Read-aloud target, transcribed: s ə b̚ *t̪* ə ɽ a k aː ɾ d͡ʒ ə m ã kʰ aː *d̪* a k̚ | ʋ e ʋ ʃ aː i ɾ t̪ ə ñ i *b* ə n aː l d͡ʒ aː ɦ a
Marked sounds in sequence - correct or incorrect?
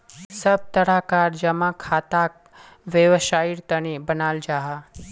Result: correct, incorrect: t̪, correct

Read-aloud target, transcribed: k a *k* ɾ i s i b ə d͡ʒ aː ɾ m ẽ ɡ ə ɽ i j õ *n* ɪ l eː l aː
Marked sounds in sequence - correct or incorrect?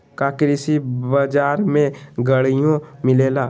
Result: correct, incorrect: m

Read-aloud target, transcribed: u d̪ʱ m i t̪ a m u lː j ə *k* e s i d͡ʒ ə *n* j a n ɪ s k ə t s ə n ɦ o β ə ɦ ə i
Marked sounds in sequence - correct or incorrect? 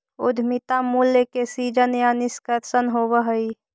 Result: correct, correct

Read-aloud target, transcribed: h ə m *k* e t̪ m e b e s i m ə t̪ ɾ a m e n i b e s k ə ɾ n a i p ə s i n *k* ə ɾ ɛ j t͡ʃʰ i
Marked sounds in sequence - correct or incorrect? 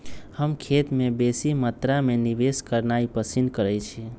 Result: incorrect: kʰ, correct

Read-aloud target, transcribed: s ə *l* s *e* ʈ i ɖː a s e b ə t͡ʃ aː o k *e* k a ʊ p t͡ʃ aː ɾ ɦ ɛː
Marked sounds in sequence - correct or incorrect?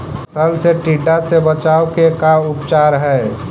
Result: correct, correct, correct

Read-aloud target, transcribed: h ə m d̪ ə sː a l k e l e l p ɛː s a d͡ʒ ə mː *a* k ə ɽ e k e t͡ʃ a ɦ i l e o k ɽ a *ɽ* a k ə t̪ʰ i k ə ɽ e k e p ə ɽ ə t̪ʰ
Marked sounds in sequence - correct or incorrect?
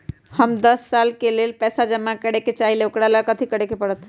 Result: correct, incorrect: l

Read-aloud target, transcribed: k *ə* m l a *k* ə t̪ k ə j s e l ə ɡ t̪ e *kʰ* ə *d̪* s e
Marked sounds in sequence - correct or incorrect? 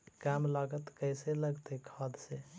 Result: incorrect: a, incorrect: ɡ, correct, correct

